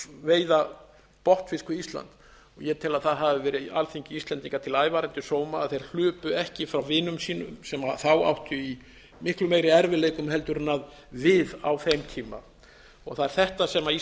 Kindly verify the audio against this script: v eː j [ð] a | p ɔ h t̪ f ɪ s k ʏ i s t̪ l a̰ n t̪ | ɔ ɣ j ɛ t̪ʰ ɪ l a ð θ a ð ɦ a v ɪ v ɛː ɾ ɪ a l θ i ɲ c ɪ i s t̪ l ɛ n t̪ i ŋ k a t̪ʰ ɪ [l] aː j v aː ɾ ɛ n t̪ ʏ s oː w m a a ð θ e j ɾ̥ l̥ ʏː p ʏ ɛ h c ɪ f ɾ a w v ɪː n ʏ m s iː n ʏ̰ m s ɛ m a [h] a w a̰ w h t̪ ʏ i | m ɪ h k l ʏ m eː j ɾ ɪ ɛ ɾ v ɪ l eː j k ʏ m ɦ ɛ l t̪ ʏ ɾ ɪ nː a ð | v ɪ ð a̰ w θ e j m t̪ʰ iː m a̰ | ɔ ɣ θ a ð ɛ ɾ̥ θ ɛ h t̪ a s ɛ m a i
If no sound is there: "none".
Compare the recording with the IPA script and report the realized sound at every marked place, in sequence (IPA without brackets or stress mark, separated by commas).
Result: ð, l, θ